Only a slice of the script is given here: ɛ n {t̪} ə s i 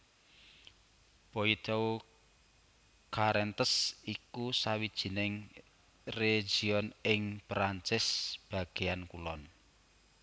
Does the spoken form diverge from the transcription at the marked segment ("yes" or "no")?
no